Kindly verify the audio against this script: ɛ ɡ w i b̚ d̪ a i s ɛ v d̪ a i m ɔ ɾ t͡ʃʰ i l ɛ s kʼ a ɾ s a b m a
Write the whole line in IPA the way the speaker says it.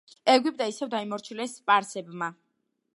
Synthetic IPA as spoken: ɛ ɡ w i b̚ d̪ a i s ɛ v d̪ a i m ɔ ɾ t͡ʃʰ i l ɛ s pʼ a ɾ s ɛ b m a

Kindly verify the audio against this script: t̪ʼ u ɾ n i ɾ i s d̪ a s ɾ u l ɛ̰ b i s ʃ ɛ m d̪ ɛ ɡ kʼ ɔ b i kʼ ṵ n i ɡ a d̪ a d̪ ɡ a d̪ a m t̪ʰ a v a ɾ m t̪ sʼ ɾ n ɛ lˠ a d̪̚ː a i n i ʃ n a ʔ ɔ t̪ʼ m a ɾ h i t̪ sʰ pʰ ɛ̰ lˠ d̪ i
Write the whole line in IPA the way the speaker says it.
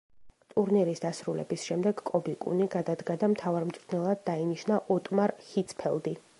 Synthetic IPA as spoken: t̪ʼ u ɾ n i ɾ i s d̪ a s ɾ u l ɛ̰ b i s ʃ ɛ m d̪ ɛ ɡ kʼ ɔ b i kʼ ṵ n i ɡ a d̪ a d̪ ɡ a d̪ a m t̪ʰ a v a ɾ m t̪ sʼ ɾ n ɛ lˠ a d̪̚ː a i n i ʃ n a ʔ ɔ t̪ʼ m a ɾ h i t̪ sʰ pʰ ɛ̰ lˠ d̪ i

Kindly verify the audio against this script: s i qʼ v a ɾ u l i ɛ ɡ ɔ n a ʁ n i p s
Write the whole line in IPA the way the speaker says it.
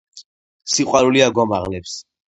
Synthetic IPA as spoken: s i qʼ w a ɾ u l i a ɡ ɔ m a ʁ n ɛ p s

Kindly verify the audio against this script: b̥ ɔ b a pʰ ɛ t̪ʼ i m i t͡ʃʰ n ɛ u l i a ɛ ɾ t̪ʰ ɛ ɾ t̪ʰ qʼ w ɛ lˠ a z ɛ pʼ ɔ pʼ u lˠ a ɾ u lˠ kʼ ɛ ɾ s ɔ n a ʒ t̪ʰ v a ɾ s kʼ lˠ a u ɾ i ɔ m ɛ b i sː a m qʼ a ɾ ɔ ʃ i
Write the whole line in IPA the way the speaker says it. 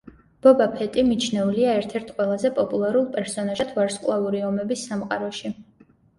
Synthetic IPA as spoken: b̥ ɔ b a pʰ ɛ t̪ʼ i m i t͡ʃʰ n ɛ u l i a ɛ ɾ t̪ʰ ɛ ɾ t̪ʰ qʼ w ɛ lˠ a z ɛ pʼ ɔ pʼ u lˠ a ɾ u lˠ pʼ ɛ ɾ s ɔ n a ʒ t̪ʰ v a ɾ s kʼ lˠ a u ɾ i ɔ m ɛ b i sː a m qʼ a ɾ ɔ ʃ i

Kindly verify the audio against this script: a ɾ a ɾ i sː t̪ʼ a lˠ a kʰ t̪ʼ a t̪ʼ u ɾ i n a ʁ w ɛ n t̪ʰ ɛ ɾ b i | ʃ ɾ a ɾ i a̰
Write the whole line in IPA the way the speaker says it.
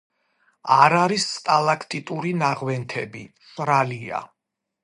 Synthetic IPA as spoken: a ɾ a ɾ i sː t̪ʼ a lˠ a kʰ t̪ʼ i t̪ʼ u ɾ i n a ʁ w ɛ n t̪ʰ ɛ b i | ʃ ɾ a l i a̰

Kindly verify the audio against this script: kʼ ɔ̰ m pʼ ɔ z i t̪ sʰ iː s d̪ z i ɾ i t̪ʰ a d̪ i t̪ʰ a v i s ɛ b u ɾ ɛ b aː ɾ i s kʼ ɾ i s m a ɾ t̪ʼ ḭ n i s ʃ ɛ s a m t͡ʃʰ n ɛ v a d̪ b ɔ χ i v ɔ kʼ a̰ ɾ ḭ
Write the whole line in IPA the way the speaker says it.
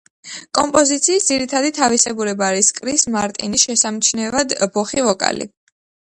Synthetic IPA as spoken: kʼ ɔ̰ m pʼ ɔ z i t̪ sʰ iː s d̪ z i ɾ i t̪ʰ a d̪ i t̪ʰ a v i s ɛ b u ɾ ɛ b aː ɾ i s kʼ ɾ i s m a ɾ t̪ʼ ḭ n i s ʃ ɛ s a m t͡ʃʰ n ɛ v a d̪ b ɔ χ i v ɔ kʼ a̰ l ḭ

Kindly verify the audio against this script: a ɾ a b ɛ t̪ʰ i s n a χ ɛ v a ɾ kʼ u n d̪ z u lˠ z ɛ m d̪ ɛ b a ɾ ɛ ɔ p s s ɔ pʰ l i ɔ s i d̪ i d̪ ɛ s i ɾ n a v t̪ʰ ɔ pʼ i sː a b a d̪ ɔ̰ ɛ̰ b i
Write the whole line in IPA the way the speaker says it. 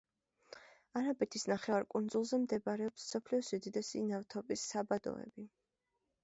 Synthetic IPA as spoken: a ɾ a b ɛ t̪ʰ i s n a χ ɛ v a ɾ kʼ u n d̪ z u lˠ z ɛ m d̪ ɛ b a ɾ ɛ ɔ p s s ɔ pʰ l i ɔ s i d̪ i d̪ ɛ s i n a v t̪ʰ ɔ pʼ i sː a b a d̪ ɔ̰ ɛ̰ b i

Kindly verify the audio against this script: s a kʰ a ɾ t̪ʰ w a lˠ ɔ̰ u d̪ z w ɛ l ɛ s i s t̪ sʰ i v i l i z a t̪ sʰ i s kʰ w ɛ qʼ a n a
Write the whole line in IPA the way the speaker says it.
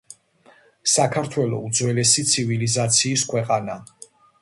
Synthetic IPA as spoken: s a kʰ a ɾ t̪ʰ w ɛ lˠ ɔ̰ u d̪ z w ɛ l ɛ s i t̪ sʰ i v i l i z a t̪ sʰ iː s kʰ w ɛ qʼ a n a

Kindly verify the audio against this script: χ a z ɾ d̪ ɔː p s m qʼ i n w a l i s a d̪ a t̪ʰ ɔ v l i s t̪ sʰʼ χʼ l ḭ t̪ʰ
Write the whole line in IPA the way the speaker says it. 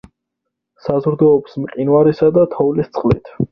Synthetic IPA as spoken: s a z ɾ d̪ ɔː p s m qʼ i n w a ɾ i s a d̪ a t̪ʰ ɔ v l i s t̪ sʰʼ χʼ l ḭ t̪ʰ

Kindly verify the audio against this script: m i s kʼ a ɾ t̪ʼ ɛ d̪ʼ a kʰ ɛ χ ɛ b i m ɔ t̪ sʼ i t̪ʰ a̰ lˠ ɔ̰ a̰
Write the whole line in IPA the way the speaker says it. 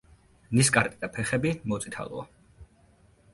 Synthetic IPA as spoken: n i s kʼ a ɾ t̪ʼ i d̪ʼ a pʰ ɛ χ ɛ b i m ɔ t̪ sʼ i t̪ʰ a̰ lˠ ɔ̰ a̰

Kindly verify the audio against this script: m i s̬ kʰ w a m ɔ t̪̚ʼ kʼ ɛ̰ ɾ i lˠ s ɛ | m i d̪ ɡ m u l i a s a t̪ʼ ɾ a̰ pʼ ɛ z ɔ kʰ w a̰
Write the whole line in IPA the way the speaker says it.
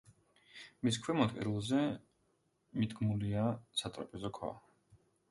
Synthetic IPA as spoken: m i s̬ kʰ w ɛ m ɔ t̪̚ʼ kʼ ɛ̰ ɾ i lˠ z ɛ | m i d̪ ɡ m u l i a s a t̪ʼ ɾ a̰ pʼ ɛ z ɔ kʰ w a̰

